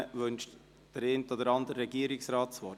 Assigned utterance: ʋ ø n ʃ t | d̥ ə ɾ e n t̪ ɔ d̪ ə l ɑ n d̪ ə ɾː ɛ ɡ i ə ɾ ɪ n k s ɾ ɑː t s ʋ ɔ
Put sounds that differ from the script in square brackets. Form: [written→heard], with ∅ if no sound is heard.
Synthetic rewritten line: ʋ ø n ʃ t | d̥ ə ɾ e n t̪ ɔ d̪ ə [l→ɾ] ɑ n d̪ ə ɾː ɛ ɡ i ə ɾ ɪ [n→∅] k s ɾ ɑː t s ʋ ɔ